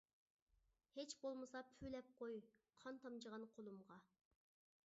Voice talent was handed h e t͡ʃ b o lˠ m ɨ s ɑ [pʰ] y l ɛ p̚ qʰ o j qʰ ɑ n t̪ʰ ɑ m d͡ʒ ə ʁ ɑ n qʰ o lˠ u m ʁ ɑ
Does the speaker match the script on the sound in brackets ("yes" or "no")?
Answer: yes